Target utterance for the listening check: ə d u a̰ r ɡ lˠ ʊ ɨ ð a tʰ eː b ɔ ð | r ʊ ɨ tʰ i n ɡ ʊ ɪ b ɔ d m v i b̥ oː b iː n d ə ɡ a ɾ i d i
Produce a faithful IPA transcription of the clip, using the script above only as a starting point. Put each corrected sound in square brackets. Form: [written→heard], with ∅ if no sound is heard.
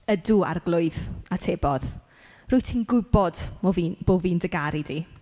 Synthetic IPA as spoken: ə d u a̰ r ɡ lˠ ʊ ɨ ð a tʰ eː b ɔ ð | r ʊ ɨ tʰ i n ɡ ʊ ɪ b ɔ d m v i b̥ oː [b→v] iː n d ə ɡ a ɾ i d i